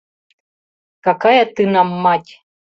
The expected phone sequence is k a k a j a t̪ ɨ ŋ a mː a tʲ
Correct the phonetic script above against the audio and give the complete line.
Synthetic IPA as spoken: k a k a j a t̪ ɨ n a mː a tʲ